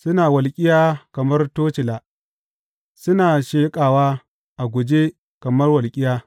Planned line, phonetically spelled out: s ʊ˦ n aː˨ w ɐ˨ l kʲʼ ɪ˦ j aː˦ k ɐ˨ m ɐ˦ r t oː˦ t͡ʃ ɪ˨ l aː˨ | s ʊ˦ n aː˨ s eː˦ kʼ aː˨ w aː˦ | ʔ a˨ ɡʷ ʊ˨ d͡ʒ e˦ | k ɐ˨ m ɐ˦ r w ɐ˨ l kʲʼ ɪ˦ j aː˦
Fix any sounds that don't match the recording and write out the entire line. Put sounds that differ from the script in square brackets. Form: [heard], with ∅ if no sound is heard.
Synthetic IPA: s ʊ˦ n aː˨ w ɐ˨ l kʲʼ ɪ˦ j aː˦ k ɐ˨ m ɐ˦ r t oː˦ t͡ʃ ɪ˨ l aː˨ | s ʊ˦ n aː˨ [ʃ] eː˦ kʼ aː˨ w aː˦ | ʔ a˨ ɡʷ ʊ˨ d͡ʒ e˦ | k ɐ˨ m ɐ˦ r w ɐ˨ l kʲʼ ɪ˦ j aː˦